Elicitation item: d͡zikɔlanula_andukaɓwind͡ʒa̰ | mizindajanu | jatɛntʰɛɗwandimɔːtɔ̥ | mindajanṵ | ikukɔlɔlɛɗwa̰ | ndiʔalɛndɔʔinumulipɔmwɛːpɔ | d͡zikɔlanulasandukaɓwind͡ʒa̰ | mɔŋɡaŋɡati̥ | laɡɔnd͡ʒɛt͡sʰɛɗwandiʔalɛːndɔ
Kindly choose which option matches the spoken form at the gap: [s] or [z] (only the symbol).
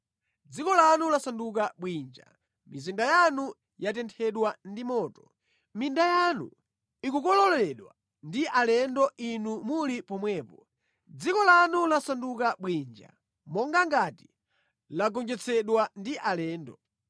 s